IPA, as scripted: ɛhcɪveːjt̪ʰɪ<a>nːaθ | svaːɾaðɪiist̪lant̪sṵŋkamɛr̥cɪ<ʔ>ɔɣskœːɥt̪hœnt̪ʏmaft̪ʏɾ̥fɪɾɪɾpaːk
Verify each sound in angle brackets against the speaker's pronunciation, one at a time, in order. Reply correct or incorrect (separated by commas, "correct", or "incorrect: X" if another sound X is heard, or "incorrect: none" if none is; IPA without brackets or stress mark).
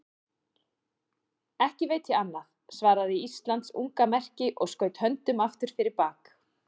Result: correct, correct